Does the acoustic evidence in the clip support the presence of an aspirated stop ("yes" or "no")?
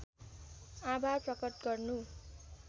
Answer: no